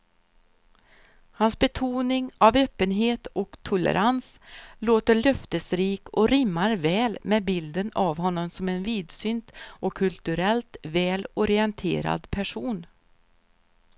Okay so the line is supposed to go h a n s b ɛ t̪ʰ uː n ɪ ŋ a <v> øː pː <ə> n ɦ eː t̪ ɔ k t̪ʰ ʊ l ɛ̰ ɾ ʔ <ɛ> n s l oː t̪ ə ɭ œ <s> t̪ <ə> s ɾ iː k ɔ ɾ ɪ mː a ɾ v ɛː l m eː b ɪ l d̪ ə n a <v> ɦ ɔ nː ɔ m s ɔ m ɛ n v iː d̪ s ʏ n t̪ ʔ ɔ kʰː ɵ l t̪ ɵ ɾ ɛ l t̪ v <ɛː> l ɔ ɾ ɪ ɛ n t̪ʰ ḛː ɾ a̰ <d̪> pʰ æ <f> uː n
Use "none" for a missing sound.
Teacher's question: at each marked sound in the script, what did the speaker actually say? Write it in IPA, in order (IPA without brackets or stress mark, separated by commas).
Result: v, ə, a, f, ə, v, ɛː, d̪, ʂ